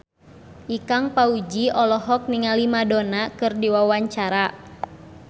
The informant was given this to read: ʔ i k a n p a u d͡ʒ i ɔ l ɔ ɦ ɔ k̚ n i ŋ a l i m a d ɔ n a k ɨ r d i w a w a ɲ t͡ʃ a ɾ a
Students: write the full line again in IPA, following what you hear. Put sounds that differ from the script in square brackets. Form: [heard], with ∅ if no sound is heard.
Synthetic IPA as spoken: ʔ i k a [ŋ] p a u d͡ʒ i ɔ l ɔ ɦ ɔ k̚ n i ŋ a l i m a d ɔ n a k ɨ r d i w a w a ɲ t͡ʃ a ɾ a